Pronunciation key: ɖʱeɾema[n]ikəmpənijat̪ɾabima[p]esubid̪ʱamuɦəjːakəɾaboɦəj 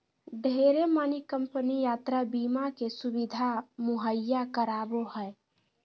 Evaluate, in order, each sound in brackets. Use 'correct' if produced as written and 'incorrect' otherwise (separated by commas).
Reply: correct, incorrect